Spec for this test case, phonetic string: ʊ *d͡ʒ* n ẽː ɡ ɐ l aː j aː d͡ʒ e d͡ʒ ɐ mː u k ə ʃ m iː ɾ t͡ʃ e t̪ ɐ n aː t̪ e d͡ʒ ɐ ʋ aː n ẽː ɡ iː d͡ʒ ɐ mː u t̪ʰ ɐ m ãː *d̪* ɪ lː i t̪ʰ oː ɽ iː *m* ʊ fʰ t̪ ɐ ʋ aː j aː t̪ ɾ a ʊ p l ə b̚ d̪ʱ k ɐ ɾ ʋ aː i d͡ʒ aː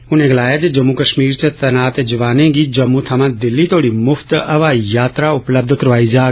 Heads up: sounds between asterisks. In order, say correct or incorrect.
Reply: incorrect: none, correct, correct

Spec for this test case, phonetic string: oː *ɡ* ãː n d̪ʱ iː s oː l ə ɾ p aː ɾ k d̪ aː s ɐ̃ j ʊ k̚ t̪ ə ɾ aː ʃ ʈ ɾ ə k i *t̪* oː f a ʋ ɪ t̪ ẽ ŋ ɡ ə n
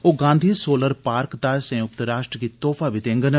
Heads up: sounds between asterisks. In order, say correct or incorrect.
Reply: correct, correct

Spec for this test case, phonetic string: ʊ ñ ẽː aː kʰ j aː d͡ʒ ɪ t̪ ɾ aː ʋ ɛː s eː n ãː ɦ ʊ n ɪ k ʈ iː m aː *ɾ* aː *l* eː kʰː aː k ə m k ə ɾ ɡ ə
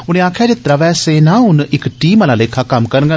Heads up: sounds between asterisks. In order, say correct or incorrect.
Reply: incorrect: l, correct

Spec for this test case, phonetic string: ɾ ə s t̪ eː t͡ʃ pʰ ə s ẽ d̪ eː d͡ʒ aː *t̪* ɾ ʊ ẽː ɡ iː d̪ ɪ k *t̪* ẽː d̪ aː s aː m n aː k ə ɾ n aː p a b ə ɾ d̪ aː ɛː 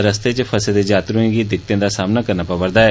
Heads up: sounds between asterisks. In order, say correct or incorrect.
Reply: correct, correct

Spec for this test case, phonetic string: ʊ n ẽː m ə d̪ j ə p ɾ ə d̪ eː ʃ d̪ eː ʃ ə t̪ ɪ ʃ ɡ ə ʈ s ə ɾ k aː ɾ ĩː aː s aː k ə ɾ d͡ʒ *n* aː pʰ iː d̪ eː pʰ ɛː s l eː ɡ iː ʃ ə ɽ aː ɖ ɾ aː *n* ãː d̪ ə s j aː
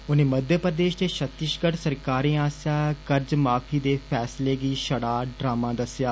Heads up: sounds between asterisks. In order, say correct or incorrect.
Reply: incorrect: m, incorrect: m

